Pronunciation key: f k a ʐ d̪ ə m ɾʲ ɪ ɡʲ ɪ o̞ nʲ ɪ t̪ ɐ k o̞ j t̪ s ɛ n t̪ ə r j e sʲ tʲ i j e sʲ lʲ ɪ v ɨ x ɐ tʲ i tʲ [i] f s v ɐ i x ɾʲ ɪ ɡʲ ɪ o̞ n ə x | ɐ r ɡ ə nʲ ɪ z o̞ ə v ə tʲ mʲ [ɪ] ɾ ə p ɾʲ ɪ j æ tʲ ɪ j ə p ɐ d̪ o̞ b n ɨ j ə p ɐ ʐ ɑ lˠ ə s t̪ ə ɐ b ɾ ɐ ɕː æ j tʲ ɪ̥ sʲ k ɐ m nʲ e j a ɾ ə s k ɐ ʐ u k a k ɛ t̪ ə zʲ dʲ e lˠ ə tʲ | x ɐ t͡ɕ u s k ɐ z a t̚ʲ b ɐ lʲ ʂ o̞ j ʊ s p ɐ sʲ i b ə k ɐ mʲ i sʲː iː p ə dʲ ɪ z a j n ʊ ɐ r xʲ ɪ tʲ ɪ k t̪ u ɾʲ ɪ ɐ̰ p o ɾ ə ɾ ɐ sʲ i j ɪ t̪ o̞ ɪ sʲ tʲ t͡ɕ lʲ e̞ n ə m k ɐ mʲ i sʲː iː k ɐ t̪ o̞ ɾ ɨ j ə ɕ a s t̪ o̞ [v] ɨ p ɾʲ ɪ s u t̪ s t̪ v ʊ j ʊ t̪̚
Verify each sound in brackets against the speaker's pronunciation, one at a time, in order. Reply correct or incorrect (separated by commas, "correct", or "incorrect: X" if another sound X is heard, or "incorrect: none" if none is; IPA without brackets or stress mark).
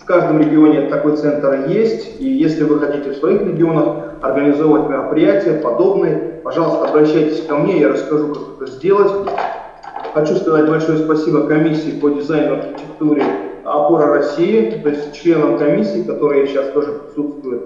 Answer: incorrect: ɪ, correct, incorrect: ʐ